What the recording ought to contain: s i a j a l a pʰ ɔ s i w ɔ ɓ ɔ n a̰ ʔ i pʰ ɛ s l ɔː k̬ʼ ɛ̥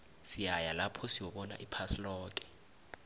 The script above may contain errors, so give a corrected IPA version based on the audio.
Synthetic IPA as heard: s i a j a l a pʰ ɔ s i w ɔ ɓ ɔ n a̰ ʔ i pʰ a s l ɔː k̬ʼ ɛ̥